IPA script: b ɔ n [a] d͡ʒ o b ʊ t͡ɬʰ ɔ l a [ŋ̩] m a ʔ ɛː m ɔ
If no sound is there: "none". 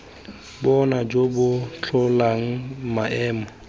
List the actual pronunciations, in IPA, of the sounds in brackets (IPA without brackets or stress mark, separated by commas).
a, ŋ̩